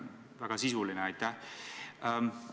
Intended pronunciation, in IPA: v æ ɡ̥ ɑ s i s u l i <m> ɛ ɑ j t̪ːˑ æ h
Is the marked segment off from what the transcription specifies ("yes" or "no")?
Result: yes